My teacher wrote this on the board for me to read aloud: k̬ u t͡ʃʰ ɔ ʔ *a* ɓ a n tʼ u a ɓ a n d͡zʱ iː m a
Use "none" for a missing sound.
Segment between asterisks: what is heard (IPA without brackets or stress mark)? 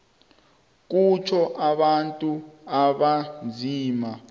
a